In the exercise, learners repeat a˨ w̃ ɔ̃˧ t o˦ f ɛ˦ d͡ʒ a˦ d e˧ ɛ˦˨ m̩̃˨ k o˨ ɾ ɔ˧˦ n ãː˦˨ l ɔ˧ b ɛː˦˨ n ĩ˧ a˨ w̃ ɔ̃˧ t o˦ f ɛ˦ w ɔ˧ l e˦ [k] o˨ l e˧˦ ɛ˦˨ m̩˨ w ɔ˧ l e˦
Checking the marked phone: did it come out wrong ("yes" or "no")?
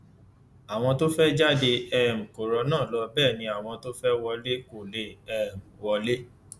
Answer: no